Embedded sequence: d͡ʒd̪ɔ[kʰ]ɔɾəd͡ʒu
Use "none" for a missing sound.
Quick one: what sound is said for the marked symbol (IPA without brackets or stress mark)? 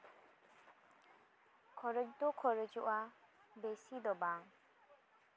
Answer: kʰ